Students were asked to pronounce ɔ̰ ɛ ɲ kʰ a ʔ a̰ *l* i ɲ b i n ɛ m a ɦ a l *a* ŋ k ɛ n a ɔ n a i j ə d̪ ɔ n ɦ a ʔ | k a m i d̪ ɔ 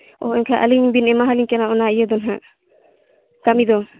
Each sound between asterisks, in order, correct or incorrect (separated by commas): correct, incorrect